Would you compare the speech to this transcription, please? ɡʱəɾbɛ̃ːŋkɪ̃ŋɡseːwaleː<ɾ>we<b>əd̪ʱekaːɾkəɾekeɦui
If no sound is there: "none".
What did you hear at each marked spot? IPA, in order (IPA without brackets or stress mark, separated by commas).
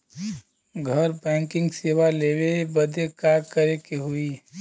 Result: none, b